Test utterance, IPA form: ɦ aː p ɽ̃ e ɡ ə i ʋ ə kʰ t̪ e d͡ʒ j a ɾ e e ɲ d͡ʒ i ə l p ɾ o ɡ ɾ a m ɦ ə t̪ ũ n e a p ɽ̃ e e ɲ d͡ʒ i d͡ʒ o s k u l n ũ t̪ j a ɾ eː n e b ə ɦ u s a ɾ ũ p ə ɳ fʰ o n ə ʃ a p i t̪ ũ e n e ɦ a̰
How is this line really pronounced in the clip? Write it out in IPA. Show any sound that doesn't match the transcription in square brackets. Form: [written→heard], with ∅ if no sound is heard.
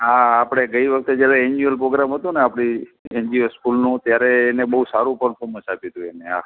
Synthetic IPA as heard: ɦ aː p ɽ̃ e ɡ ə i ʋ ə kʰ t̪ e d͡ʒ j a ɾ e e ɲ d͡ʒ i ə l p ɾ o ɡ ɾ a m ɦ ə t̪ ũ n e a p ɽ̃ [e→i] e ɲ d͡ʒ i [d͡ʒ→∅] o s k u l n ũ t̪ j a ɾ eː n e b ə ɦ u s a ɾ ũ p ə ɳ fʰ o [n→m] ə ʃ a p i t̪ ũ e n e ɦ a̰